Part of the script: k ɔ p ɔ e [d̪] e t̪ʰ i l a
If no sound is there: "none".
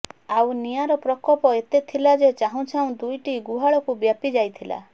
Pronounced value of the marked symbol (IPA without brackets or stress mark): t̪